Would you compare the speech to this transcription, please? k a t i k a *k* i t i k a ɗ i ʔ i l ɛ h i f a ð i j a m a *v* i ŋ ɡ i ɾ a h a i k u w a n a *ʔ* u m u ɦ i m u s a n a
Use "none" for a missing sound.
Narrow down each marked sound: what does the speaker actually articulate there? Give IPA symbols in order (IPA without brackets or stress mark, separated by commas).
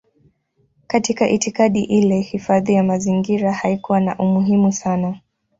ʔ, z, ʔ